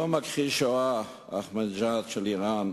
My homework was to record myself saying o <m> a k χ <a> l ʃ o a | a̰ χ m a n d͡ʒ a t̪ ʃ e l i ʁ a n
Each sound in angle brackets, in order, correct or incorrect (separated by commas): correct, incorrect